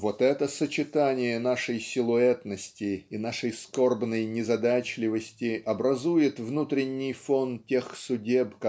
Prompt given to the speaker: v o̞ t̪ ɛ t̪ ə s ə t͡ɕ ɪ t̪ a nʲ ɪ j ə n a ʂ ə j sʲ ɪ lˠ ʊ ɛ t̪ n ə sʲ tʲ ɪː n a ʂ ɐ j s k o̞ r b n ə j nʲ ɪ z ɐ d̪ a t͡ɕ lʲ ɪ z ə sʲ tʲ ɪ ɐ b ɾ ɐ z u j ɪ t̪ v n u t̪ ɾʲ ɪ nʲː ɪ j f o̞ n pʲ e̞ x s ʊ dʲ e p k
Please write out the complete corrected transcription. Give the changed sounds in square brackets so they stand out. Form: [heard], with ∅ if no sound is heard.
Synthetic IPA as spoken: v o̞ t̪ ɛ t̪ ə s ə t͡ɕ ɪ t̪ a nʲ ɪ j ə n a ʂ ə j sʲ ɪ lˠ ʊ ɛ t̪ n ə sʲ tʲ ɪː n a ʂ [ə] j s k o̞ r b n ə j nʲ ɪ z ɐ d̪ a t͡ɕ lʲ ɪ [v] ə sʲ tʲ ɪ ɐ b ɾ ɐ z u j ɪ t̪ v n u t̪ ɾʲ ɪ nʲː ɪ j f o̞ n [tʲ] e̞ x s ʊ dʲ e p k

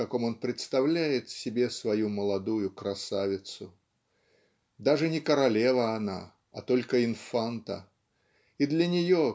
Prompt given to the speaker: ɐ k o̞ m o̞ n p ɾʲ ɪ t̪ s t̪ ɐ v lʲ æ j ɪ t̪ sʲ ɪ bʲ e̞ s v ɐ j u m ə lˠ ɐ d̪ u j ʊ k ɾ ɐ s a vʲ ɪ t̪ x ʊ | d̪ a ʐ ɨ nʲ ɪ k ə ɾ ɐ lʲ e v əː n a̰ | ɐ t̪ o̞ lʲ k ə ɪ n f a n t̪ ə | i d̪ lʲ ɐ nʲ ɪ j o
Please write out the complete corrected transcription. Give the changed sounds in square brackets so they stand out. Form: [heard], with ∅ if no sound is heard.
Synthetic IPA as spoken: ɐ k o̞ m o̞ n p ɾʲ ɪ t̪ s t̪ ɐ v lʲ æ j ɪ t̪ sʲ ɪ bʲ e̞ s v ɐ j u m ə lˠ ɐ d̪ u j ʊ k ɾ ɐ s a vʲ ɪ t̪ [s] ʊ | d̪ a ʐ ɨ nʲ ɪ k ə ɾ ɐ lʲ e v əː n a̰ | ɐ t̪ o̞ lʲ k ə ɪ n f a n t̪ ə | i d̪ lʲ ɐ nʲ ɪ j o

